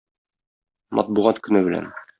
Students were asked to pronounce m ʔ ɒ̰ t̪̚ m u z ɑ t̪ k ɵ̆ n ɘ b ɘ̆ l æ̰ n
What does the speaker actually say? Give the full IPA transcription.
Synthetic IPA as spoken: m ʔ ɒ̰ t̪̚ b u ʁ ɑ t̪ k ɵ̆ n ɘ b ɘ̆ l æ̰ n